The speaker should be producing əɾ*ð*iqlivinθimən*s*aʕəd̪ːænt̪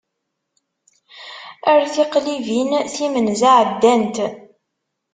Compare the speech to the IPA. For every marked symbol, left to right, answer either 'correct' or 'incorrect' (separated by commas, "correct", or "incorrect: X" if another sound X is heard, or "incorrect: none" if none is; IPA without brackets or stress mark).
incorrect: θ, incorrect: z